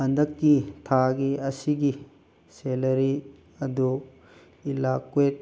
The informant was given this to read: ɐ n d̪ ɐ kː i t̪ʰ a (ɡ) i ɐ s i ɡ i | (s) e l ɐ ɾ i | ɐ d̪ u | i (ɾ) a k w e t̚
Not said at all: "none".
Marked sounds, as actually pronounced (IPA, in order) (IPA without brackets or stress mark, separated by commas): ɡ, s, l